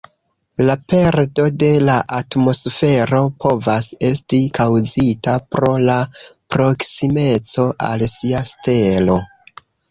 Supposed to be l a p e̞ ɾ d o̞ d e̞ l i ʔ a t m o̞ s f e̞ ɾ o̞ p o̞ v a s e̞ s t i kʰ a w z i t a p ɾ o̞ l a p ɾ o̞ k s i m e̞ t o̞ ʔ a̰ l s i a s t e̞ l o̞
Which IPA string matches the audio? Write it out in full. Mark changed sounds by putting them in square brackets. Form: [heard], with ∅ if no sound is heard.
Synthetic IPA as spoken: l a p e̞ ɾ d o̞ d e̞ l [a] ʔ a t m o̞ s f e̞ ɾ o̞ p o̞ v a s e̞ s t i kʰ a w z i t a p ɾ o̞ l a p ɾ o̞ k s i m e̞ [t͡s] o̞ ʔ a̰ l s i a s t e̞ l o̞